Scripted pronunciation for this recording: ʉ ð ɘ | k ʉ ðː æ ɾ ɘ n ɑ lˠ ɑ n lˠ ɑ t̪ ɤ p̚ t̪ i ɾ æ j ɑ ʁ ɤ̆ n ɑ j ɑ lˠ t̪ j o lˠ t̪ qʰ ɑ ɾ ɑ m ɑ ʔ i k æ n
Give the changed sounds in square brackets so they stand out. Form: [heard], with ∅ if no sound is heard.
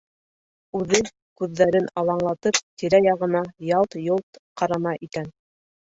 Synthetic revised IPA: ʉ ð ɘ | k ʉ ðː æ ɾ ɘ n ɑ lˠ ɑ [ɴ] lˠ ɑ t̪ ɤ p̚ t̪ i ɾ æ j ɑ ʁ ɤ̆ n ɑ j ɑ lˠ t̪ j o lˠ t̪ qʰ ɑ ɾ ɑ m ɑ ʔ i k æ n